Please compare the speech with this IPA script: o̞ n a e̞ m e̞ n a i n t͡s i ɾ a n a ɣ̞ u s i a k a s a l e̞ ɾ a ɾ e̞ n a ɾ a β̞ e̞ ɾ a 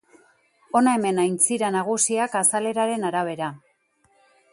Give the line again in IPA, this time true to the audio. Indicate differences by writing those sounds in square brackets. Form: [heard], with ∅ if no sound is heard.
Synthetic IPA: o̞ n a e̞ m e̞ n a [j] n t͡s i ɾ a n a ɣ̞ u s i a k a s a l e̞ ɾ a ɾ e̞ n a ɾ a β̞ e̞ ɾ a